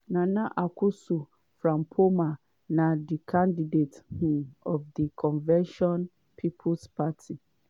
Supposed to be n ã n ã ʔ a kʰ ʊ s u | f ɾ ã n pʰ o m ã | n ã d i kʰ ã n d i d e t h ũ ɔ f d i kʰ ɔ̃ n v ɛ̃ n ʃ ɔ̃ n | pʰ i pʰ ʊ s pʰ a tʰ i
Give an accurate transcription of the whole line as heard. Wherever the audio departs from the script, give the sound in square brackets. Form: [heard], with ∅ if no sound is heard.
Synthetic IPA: n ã n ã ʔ a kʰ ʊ s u | f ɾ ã [m] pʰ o m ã | n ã d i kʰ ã n d i d e t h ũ ɔ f d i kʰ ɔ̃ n v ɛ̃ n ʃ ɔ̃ n | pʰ i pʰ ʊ s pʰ a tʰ i